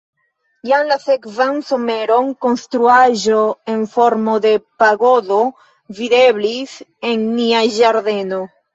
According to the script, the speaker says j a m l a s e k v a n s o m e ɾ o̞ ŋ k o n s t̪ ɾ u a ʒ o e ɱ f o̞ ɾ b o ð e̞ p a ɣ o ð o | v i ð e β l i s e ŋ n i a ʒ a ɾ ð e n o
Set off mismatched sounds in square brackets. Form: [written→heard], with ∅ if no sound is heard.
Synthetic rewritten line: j a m l a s e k v a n s o m e ɾ o̞ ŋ k o n s t̪ ɾ u a ʒ o e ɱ f o̞ ɾ [b→m] o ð e̞ p a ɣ o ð o | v i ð e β l i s e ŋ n i a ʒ a ɾ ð e n o